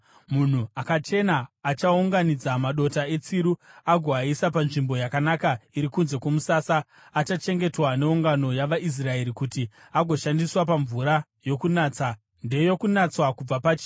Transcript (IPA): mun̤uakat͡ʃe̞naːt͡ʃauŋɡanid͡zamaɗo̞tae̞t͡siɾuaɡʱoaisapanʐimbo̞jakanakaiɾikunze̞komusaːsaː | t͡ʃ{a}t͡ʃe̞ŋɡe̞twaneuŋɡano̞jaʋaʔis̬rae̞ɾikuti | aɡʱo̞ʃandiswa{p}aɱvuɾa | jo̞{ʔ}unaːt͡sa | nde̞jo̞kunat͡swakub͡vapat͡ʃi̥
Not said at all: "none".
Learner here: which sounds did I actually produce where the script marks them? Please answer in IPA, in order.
a, p, k

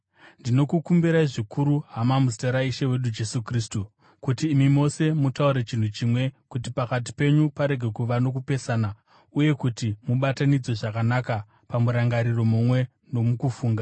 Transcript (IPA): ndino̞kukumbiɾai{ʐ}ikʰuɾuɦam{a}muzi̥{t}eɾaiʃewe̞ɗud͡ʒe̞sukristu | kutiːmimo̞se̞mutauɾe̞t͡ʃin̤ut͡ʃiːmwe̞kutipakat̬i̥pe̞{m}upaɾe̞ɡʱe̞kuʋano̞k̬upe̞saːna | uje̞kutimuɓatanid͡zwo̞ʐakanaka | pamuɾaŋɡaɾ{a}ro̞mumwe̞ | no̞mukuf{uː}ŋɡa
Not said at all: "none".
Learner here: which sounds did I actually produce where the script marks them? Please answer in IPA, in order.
ʐ, a, t, ɲ, i, uː

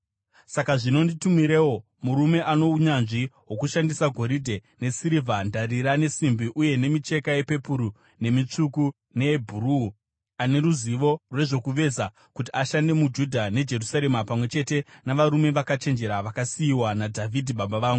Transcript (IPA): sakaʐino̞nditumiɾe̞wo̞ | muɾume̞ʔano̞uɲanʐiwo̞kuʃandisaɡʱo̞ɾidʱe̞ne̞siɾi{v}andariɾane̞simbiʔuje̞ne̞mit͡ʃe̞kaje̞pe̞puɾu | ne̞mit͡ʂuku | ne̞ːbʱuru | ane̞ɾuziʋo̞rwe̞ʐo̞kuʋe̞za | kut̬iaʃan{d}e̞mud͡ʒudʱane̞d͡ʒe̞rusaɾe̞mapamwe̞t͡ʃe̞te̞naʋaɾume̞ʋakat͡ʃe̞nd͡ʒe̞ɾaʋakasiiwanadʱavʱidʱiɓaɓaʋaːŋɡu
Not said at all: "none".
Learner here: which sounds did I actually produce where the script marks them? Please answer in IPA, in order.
v, d

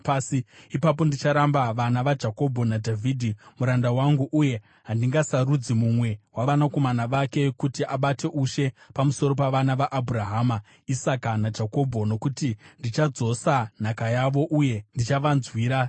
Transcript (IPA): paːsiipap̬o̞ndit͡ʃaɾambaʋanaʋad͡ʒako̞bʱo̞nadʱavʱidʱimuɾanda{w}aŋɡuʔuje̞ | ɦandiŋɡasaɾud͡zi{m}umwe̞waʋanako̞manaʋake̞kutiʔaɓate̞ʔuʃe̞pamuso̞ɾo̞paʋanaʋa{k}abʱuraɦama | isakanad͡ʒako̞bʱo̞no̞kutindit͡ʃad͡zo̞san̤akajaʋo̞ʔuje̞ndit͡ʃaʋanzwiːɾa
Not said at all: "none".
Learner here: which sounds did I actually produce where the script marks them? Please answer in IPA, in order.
w, m, ʔ

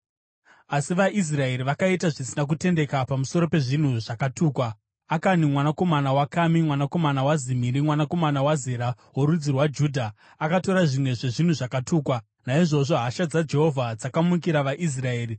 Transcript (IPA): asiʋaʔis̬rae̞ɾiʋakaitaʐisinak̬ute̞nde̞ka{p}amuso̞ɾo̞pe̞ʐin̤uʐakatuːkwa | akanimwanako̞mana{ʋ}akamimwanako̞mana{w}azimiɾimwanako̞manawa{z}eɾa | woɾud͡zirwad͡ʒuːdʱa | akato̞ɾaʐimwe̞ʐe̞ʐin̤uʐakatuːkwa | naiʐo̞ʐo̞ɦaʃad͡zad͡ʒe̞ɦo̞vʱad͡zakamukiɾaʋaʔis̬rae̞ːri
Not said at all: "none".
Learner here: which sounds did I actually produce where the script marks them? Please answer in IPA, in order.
p, w, w, z

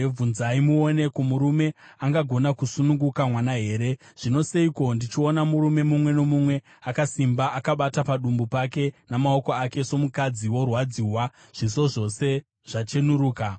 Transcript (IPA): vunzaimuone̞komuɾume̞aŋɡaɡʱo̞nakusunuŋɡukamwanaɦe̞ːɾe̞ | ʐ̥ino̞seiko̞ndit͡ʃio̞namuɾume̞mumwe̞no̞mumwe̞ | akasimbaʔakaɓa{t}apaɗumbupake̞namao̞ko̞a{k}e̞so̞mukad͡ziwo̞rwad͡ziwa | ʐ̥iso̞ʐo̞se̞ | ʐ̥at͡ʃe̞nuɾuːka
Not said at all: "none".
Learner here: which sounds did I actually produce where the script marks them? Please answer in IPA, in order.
t, k

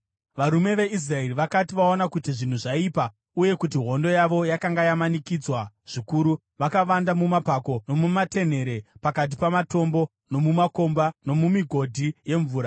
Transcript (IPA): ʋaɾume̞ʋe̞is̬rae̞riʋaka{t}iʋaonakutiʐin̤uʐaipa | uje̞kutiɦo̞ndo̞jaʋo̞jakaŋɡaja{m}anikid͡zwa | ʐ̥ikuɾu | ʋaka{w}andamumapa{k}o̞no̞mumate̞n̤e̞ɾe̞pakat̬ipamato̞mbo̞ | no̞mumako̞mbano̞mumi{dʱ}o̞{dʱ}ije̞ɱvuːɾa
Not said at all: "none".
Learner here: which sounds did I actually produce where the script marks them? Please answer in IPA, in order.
t, m, ʋ, k, ɡʱ, dʱ

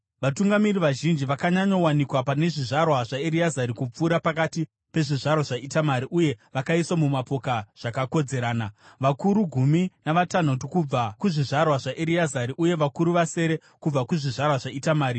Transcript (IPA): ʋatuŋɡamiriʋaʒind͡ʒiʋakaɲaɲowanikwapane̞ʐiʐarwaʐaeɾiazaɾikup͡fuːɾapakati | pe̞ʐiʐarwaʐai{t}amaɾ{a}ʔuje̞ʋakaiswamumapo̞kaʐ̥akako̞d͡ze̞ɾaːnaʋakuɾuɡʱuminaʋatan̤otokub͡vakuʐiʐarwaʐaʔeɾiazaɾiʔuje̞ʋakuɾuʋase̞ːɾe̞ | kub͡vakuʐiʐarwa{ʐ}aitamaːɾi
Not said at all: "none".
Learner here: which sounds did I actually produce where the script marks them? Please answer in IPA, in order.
t, i, ʐ

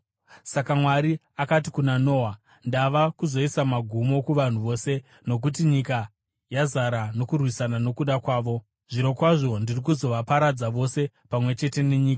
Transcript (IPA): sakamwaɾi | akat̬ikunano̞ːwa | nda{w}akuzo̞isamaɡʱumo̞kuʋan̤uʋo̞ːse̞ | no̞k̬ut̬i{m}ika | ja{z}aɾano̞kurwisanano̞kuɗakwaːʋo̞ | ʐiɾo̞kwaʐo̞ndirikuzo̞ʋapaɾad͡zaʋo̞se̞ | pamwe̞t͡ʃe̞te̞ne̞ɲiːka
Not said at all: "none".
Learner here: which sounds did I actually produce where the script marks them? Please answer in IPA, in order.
ʋ, ɲ, z

